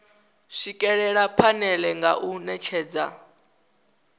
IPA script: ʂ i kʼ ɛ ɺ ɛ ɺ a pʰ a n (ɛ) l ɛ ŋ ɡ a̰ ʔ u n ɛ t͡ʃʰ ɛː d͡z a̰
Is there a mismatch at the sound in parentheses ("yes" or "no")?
no